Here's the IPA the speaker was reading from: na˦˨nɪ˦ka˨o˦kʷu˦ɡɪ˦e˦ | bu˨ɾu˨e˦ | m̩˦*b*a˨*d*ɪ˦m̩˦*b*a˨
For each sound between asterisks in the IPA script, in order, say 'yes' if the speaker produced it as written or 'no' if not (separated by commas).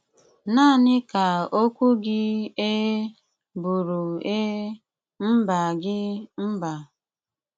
yes, no, yes